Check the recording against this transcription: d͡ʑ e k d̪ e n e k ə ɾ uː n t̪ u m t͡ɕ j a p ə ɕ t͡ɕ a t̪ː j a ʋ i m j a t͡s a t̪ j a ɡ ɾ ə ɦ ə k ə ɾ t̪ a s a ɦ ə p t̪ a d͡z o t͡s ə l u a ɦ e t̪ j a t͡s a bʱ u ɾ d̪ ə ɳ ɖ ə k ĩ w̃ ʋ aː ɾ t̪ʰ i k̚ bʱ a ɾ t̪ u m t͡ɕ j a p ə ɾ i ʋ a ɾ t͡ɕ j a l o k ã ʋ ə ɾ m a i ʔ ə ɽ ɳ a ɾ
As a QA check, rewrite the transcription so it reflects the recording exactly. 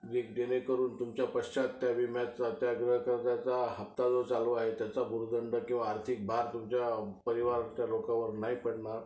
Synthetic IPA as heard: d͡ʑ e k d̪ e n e k ə ɾ uː n t̪ u m t͡ɕ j a p ə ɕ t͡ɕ a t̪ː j a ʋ i m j a t͡s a t̪ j a ɡ ɾ ə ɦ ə k ə ɾ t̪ a t͡s a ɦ ə p t̪ a d͡z o t͡s a l u a ɦ e t̪ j a t͡s a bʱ u ɾ d̪ ə ɳ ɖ ə k ĩ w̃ ʋ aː ɾ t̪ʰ i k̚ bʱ a ɾ t̪ u m t͡ɕ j a p ə ɾ i ʋ a ɾ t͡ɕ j a l o k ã ʋ ə ɾ n a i p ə ɽ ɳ a ɾ